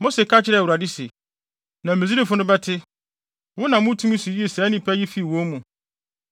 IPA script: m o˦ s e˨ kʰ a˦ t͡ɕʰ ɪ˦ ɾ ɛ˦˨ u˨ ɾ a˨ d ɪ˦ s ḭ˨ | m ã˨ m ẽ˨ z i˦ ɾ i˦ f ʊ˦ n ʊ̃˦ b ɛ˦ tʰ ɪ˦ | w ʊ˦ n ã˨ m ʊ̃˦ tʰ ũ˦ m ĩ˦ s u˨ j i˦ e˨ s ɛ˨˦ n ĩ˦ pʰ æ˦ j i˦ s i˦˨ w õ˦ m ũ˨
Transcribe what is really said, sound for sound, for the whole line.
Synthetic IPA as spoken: m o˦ s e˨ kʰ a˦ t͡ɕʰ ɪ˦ ɾ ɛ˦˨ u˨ ɾ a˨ d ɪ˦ s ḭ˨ | n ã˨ m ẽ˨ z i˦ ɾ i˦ f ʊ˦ n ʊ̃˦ b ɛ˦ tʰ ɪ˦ | w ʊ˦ n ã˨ m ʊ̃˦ tʰ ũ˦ m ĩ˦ s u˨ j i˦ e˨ s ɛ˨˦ n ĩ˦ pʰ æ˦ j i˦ f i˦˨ w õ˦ m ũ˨